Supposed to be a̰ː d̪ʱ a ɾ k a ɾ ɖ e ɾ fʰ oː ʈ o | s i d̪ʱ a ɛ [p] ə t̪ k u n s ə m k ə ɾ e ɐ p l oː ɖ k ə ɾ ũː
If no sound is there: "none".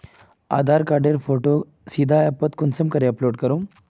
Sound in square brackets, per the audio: p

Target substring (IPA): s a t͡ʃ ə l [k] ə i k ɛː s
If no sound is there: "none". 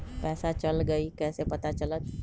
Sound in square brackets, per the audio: ɡ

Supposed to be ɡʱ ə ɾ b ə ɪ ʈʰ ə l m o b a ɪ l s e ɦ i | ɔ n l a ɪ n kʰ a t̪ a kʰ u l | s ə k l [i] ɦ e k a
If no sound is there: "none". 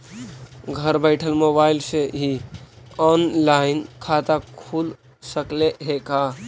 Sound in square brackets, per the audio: e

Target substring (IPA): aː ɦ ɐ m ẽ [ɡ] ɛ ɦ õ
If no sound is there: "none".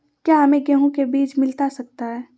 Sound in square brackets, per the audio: ɡ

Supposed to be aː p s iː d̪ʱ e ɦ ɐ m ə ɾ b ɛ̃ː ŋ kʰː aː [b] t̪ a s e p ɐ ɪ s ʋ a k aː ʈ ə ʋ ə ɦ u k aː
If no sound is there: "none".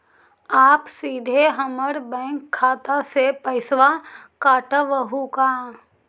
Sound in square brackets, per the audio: none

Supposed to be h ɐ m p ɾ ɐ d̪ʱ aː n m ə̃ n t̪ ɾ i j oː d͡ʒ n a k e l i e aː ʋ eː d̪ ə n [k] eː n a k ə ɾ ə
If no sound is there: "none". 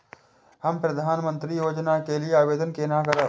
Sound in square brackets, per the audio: k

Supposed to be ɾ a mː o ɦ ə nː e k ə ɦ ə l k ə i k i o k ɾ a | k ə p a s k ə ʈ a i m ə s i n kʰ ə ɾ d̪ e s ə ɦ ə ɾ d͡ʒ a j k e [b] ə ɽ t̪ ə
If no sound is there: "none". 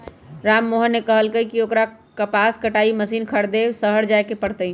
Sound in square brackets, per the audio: p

